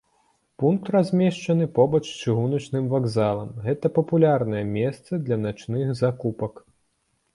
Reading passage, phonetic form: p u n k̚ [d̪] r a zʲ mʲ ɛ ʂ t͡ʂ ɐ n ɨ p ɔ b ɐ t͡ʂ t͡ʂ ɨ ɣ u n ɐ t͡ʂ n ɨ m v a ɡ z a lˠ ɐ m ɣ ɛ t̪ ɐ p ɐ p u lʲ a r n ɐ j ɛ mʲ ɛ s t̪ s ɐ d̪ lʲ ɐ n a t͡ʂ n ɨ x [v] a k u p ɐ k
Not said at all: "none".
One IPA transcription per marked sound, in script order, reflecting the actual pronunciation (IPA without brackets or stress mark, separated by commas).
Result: t̪, z